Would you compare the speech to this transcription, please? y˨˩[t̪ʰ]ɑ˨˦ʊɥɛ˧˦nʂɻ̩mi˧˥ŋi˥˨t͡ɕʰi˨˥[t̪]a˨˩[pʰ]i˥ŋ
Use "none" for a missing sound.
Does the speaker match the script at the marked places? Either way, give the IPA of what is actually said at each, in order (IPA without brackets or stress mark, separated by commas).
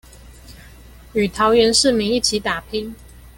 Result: t̪ʰ, t̪, pʰ